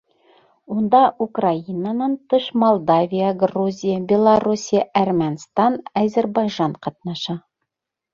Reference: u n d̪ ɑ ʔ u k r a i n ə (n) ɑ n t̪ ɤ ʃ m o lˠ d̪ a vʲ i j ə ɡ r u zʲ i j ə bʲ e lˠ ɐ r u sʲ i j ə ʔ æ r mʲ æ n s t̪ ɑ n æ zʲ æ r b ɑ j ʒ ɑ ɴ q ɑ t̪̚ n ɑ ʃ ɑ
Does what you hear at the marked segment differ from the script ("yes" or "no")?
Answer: no